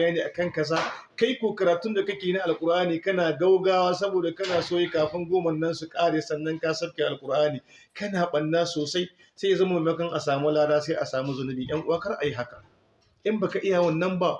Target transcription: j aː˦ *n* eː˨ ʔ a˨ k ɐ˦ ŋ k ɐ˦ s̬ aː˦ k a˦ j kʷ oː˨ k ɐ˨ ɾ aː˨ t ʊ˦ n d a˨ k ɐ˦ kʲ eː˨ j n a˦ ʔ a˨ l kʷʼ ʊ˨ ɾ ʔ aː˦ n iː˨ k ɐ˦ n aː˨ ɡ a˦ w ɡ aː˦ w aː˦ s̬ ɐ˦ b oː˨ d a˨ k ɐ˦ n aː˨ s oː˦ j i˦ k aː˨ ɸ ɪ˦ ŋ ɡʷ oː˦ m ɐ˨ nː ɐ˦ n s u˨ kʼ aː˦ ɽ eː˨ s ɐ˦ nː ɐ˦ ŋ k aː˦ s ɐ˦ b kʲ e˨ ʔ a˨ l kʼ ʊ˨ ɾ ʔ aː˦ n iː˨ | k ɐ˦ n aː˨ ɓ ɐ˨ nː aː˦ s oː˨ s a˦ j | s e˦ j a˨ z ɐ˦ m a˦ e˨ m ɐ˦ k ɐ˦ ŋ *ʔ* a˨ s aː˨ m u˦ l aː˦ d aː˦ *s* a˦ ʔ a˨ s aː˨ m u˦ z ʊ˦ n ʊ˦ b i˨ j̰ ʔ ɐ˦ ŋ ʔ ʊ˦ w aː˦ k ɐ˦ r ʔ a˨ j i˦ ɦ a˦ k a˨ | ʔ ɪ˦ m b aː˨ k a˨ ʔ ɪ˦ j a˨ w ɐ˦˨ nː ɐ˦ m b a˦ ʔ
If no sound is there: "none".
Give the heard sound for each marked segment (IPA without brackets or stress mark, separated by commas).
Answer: n, ʔ, s